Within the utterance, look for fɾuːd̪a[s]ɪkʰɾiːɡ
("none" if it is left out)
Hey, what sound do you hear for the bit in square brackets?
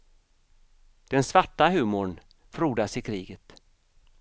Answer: s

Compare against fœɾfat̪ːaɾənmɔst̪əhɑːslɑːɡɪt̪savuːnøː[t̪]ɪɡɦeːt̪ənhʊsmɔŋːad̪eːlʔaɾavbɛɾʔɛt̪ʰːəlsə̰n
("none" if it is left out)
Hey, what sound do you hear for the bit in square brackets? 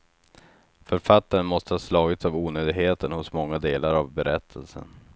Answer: d̪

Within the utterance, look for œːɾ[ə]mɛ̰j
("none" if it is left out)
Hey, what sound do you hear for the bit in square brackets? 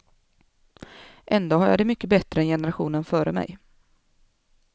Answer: ə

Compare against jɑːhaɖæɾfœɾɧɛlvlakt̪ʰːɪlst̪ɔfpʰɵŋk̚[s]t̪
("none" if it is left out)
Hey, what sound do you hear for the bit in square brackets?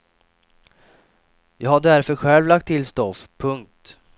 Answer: t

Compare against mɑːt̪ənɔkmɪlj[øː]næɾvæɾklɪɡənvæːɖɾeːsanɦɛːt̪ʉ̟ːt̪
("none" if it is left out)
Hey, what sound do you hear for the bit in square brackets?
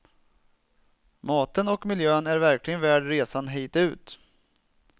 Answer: øː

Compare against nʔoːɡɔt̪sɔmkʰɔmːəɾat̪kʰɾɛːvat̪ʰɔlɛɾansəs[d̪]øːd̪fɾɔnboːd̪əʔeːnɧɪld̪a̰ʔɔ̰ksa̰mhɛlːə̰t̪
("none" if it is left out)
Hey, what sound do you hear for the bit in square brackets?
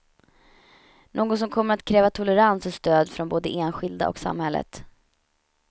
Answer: t̪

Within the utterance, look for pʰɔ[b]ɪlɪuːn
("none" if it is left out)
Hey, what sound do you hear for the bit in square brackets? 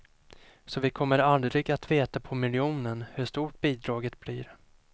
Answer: m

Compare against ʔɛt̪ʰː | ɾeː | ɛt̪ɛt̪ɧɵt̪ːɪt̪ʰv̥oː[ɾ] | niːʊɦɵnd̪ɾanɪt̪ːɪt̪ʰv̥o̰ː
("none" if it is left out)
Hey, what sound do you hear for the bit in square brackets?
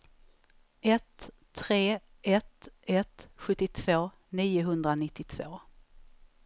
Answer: none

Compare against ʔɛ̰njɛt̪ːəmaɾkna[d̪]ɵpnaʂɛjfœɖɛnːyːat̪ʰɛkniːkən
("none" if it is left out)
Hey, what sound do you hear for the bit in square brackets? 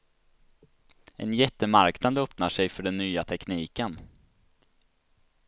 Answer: d̪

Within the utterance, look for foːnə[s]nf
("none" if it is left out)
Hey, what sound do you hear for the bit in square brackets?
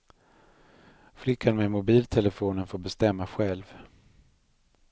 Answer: none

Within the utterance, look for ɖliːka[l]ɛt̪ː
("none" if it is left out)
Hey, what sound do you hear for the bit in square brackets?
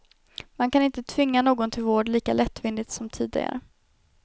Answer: l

